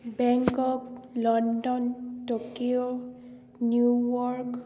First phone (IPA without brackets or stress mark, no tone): b